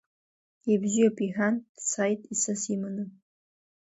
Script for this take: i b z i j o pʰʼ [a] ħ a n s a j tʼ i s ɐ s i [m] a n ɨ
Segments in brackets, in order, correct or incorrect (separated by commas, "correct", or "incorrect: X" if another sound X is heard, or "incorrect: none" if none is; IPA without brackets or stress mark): incorrect: i, correct